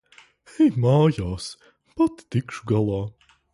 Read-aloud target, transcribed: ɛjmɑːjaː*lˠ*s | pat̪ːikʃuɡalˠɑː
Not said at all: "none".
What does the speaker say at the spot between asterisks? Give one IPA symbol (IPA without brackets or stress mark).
none